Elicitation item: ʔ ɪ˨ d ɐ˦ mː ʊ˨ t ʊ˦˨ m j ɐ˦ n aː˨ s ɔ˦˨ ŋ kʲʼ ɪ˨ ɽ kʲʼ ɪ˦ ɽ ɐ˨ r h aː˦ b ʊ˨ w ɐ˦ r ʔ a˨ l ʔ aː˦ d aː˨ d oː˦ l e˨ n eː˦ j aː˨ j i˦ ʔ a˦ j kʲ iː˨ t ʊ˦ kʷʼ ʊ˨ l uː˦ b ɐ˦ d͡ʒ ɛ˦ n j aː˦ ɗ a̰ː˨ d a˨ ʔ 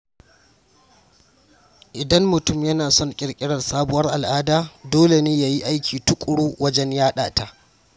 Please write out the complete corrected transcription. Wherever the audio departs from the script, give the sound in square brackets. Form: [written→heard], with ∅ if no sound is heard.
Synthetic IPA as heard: ʔ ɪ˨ d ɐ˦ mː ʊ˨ t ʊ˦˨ m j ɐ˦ n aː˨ s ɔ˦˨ ŋ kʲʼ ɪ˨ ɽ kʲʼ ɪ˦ ɽ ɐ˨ r [h→s] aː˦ b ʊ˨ w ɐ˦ r ʔ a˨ l ʔ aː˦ d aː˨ d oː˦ l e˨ n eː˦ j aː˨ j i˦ ʔ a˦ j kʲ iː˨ t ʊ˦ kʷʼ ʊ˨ [l→ɽ] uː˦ [b→w] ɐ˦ d͡ʒ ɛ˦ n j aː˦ ɗ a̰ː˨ [d→t] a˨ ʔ